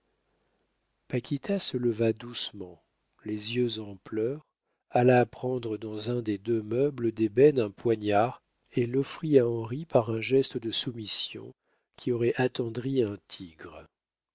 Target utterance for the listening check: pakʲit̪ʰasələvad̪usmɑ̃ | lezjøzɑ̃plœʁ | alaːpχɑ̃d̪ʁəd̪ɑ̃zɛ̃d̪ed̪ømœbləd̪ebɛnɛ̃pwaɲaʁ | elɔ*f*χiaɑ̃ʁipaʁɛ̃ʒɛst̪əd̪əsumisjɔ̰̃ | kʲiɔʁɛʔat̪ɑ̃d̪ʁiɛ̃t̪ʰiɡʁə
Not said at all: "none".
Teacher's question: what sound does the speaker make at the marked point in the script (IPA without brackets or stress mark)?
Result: f